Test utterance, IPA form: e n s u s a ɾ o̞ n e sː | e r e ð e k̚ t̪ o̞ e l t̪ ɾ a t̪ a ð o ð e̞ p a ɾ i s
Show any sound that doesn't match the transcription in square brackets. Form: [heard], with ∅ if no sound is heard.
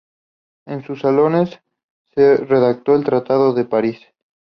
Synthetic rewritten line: e n s u s a [l] o̞ n e sː | e r e ð [a] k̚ t̪ o̞ e l t̪ ɾ a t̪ a ð o ð e̞ p a ɾ i s